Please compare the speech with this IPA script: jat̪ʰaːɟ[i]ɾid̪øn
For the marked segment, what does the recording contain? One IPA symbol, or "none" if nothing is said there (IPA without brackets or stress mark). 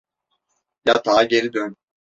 e